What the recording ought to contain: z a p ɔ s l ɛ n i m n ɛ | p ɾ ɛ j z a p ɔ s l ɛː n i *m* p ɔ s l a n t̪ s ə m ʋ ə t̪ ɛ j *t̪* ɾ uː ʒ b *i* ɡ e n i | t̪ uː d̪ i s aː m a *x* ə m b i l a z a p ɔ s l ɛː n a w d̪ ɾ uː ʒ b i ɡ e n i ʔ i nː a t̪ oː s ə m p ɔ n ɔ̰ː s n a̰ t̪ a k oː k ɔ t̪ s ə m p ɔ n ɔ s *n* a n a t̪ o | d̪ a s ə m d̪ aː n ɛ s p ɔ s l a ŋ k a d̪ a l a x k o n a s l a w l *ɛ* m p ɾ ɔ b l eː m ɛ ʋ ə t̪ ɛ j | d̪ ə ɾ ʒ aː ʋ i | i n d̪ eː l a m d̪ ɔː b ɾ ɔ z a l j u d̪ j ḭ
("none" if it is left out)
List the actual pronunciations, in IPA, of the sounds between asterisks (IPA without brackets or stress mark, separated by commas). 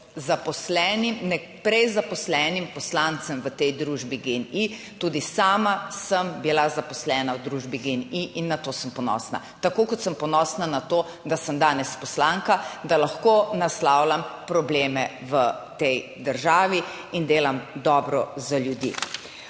m, d̪, i, s, n, a